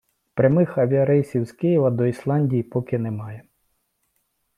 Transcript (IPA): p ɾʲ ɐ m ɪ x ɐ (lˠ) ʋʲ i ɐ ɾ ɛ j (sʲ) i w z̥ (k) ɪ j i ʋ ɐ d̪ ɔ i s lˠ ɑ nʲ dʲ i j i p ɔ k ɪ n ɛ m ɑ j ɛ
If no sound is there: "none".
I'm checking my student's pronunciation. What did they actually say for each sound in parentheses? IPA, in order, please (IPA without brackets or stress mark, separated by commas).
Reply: none, sʲ, k